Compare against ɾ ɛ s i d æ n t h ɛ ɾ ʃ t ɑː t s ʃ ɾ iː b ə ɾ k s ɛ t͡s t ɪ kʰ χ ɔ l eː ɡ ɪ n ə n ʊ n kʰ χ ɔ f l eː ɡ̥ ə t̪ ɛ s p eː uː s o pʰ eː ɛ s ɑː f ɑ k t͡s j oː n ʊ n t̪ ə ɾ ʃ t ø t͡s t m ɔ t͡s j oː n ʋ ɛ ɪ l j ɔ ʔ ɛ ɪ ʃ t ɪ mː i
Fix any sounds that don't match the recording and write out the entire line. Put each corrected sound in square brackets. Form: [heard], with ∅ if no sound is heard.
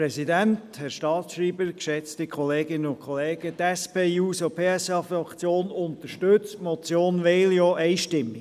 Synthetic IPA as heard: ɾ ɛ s i d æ n t h ɛ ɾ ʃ t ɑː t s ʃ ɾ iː b ə ɾ k [ʃ] ɛ t͡s t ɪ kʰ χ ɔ l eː ɡ ɪ n ə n ʊ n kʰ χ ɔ [∅] l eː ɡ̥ ə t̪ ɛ s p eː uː s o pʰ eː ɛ s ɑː f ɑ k t͡s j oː n ʊ n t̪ ə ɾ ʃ t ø t͡s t m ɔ t͡s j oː n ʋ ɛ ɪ l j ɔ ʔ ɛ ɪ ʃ t ɪ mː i